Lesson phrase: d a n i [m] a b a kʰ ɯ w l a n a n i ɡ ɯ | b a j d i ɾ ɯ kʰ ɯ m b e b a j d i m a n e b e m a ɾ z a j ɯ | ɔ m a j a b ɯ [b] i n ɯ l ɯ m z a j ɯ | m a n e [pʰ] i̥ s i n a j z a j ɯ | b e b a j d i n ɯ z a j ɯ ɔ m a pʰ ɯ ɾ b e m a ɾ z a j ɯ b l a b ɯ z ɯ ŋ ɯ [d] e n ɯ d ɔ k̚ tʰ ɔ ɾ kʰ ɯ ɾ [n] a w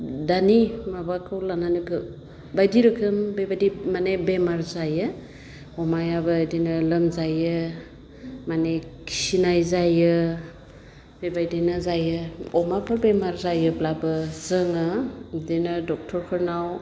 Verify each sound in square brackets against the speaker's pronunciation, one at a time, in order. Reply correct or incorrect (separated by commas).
correct, incorrect, incorrect, correct, correct